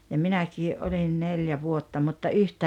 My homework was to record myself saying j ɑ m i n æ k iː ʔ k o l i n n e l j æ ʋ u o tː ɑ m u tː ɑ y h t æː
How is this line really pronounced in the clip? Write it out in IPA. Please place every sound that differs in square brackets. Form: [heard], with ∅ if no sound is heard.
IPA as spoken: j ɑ m i n æ k iː ʔ [ʔ] o l i n n e l j æ ʋ u o tː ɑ m u tː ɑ y h t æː